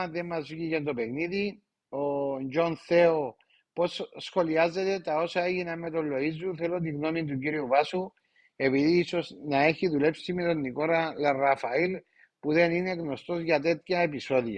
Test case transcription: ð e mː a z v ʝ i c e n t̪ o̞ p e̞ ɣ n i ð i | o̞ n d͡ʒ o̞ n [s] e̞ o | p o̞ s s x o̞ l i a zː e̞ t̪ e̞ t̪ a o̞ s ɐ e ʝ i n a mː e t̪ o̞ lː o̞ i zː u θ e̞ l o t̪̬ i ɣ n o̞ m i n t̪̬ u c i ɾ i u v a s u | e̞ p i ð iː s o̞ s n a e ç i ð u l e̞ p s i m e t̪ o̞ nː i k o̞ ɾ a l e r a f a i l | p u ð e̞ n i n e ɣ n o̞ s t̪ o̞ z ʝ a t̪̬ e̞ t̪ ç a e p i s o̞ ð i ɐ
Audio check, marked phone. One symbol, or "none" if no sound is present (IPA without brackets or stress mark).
θ